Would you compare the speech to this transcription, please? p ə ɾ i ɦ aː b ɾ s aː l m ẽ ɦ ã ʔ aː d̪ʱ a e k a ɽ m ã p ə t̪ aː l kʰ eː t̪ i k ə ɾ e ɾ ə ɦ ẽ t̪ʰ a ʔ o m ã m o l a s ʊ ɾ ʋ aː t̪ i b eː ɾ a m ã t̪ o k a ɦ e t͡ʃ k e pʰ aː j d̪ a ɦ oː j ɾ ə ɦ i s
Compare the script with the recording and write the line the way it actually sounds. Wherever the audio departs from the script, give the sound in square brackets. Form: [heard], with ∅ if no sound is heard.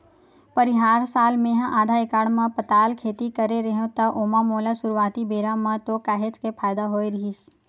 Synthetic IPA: p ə ɾ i ɦ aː [∅] ɾ s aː l m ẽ ɦ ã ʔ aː d̪ʱ a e k a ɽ m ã p ə t̪ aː l kʰ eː t̪ i k ə ɾ e ɾ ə ɦ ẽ [t̪] a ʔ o m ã m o l a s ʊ ɾ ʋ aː t̪ i b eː ɾ a m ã t̪ o k a ɦ e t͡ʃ k e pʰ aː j d̪ a ɦ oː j ɾ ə ɦ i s